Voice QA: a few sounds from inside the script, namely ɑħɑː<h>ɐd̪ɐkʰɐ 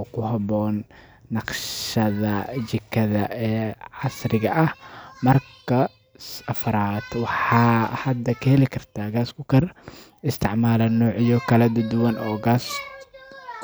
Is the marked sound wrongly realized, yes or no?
no